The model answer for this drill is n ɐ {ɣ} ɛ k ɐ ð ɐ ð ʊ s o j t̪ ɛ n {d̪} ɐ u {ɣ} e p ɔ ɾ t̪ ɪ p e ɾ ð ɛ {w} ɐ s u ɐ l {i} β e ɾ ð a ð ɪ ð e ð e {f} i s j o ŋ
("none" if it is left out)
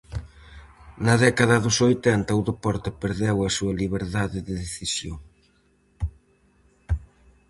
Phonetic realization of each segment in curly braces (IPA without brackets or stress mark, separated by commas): ð, t̪, ð, w, i, θ